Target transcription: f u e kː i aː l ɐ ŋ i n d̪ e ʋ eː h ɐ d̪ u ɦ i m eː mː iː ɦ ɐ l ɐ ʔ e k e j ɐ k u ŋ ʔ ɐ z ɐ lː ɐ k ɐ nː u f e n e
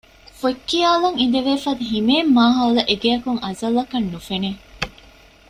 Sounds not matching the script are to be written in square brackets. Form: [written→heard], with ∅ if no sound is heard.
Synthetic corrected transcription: f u e kː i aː l ɐ ŋ i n d̪ e ʋ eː [h→f] ɐ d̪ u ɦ i m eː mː [iː→aː] ɦ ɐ l ɐ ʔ e [k→ɡ] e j ɐ k u ŋ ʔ ɐ z ɐ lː ɐ k ɐ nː u f e n e